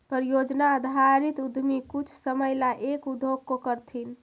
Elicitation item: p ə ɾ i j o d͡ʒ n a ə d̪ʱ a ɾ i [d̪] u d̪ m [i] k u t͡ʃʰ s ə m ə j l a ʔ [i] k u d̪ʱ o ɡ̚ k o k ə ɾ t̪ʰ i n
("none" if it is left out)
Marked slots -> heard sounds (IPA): t̪, i, e

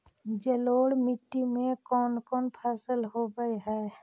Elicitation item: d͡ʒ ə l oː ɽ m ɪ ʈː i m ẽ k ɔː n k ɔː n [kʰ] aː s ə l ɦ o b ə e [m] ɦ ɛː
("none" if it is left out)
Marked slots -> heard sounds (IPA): pʰ, none

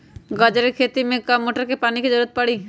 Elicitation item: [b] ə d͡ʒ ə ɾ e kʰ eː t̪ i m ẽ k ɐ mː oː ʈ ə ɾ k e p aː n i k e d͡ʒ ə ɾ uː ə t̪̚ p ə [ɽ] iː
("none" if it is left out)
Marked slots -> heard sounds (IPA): ɡ, ɽ

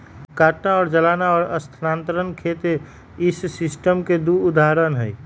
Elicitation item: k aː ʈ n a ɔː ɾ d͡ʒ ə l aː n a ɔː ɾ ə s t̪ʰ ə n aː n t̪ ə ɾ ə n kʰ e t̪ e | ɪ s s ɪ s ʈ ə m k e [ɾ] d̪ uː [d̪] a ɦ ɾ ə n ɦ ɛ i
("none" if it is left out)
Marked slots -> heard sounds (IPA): none, d̪

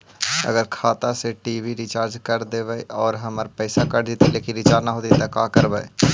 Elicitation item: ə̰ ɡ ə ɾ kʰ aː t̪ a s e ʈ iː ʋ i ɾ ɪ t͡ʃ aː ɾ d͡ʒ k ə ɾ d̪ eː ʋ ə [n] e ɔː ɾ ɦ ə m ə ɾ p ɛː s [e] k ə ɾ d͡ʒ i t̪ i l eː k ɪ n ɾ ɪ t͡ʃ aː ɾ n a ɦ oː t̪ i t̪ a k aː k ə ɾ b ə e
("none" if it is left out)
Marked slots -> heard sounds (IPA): none, a

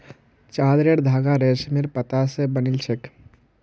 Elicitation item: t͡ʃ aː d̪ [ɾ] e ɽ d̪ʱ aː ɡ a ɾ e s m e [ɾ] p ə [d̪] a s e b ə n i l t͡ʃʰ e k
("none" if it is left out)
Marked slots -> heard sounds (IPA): ɾ, ɾ, t̪

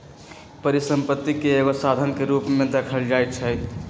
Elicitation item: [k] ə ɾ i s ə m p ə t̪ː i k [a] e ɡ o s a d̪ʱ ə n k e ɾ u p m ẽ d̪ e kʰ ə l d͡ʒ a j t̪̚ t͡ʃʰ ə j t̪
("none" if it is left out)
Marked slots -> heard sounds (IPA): p, e

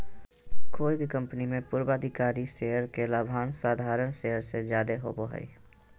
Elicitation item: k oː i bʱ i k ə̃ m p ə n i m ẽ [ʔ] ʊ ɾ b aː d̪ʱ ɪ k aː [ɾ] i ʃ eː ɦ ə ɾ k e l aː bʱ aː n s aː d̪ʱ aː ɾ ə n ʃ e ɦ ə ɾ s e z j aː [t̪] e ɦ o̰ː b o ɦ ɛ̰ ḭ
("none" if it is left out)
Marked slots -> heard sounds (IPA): p, ɾ, d̪

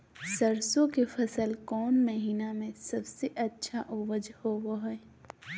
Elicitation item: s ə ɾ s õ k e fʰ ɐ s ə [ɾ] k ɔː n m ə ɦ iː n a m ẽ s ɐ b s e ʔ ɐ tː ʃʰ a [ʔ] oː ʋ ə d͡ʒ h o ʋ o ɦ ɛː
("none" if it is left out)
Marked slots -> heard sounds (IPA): l, ʔ

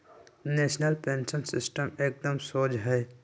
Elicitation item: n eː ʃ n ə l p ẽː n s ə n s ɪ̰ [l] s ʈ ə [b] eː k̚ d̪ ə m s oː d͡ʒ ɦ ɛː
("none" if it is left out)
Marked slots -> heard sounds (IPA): none, m

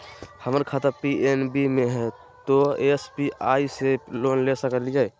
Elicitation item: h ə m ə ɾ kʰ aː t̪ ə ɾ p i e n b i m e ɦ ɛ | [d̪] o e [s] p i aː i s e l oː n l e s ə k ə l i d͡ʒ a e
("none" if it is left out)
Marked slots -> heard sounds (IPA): t̪, s

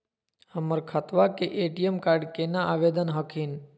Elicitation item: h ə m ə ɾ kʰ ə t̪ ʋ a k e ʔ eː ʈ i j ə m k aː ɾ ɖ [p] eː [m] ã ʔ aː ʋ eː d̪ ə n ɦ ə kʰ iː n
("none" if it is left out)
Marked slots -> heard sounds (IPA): k, n

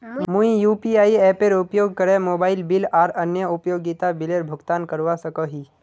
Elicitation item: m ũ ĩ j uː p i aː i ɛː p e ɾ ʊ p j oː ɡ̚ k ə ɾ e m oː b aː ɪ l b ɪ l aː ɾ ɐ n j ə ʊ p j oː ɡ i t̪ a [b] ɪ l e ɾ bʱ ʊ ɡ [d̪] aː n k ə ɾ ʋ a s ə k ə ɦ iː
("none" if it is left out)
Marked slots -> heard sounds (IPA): b, t̪

